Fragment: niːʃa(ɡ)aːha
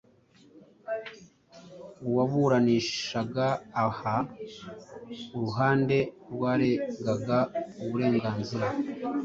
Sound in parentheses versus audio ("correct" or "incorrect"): correct